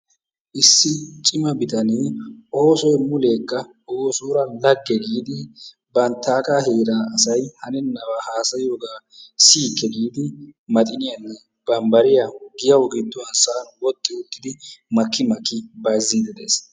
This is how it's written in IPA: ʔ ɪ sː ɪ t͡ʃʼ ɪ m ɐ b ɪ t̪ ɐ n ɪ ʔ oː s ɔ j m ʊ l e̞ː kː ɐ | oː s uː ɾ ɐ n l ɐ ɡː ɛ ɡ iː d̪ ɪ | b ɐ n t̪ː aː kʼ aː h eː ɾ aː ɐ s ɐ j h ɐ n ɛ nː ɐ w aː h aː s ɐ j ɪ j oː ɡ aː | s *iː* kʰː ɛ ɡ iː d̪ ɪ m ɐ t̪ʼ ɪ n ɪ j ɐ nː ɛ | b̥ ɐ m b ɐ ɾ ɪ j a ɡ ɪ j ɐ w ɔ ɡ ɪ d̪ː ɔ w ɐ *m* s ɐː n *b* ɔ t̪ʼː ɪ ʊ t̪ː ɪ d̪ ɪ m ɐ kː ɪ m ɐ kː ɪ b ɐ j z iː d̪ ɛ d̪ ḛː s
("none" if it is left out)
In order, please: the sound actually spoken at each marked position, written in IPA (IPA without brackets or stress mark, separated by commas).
iː, n, w